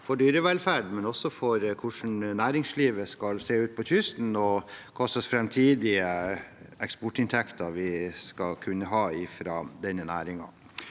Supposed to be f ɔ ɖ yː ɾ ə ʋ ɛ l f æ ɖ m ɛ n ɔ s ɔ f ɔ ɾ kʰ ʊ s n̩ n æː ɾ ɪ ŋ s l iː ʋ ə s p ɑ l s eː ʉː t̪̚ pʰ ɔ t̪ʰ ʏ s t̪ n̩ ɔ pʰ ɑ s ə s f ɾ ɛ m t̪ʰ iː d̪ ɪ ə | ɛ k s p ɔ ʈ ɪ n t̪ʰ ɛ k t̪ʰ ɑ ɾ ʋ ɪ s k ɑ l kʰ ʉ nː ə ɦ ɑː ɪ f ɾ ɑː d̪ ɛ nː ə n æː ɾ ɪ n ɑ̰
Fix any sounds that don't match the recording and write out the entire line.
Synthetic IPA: f ɔ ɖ yː ɾ ə ʋ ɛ l f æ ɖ m ɛ n ɔ s ɔ f ɔ ɾ kʰ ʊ ʂ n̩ n æː ɾ ɪ ŋ s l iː ʋ ə s k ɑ l s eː ʉː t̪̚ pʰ ɔ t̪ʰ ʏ s t̪ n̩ ɔ kʰ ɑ s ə s f ɾ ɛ m t̪ʰ iː d̪ ɪ ə | ɛ k s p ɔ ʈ ɪ n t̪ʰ ɛ k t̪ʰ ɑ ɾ ʋ ɪ s k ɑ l kʰ ʉ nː ə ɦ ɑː ɪ f ɾ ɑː d̪ ɛ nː ə n æː ɾ ɪ ŋ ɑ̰